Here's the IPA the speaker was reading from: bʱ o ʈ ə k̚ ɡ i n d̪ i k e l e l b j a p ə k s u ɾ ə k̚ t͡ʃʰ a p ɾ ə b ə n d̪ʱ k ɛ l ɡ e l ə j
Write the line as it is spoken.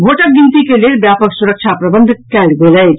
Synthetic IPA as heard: bʱ o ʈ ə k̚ ɡ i n t̪ i k e l e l b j a p ə k s u ɾ ə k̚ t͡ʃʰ a p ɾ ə b ə n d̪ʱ k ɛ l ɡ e l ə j